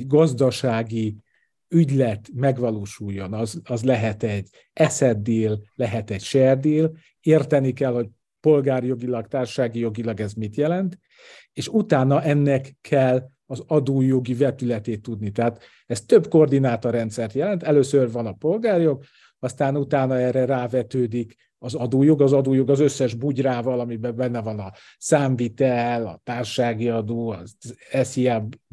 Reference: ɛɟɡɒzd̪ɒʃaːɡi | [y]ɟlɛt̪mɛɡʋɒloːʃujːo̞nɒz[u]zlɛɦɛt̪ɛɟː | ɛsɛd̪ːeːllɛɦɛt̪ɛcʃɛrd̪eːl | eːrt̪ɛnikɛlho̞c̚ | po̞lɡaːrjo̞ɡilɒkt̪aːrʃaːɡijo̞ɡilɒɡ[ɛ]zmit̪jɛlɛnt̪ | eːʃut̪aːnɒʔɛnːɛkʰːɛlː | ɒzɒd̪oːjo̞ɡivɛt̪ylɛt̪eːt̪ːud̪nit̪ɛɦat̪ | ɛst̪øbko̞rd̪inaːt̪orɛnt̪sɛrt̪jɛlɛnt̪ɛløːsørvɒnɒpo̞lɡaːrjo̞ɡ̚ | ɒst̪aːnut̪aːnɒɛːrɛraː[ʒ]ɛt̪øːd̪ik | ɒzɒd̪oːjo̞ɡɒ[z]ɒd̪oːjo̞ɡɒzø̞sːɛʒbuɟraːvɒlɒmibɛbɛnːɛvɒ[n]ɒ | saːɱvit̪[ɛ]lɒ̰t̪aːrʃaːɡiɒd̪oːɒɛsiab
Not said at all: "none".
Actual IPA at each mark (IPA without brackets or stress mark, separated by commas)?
y, ɒ, ɛ, v, z, n, ɛ